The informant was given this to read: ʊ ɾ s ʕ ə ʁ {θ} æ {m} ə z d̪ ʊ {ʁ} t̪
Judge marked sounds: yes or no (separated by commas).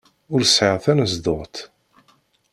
yes, no, yes